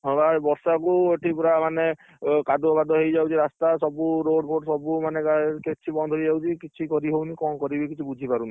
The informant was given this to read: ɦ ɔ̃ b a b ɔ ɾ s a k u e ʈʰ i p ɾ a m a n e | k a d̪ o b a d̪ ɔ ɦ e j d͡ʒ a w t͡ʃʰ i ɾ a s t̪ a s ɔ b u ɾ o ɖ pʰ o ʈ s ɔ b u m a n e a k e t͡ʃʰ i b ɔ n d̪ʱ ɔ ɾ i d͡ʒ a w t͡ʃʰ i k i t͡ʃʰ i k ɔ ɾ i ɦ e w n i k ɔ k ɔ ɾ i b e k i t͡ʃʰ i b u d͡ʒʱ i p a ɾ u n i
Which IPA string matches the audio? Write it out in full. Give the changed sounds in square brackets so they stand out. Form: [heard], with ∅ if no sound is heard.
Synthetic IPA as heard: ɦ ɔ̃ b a b ɔ ɾ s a k u e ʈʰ i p ɾ a m a n e | k a d̪ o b a d̪ ɔ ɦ e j d͡ʒ a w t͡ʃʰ i ɾ a s t̪ a s ɔ b u ɾ o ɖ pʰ o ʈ s ɔ b u m a n e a k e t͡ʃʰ i b ɔ n d̪ʱ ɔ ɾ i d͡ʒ a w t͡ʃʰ i k i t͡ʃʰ i k ɔ ɾ i ɦ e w n i k ɔ k ɔ ɾ i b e k i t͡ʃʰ i b u d͡ʒʱ i p a ɾ u n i